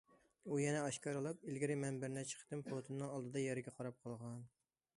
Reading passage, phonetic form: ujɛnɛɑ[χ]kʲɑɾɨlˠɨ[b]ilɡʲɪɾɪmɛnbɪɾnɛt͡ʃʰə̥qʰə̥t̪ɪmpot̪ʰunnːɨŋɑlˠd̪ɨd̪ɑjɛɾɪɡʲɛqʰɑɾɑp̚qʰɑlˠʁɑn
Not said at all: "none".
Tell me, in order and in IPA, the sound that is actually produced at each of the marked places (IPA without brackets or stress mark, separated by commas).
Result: ʃ, p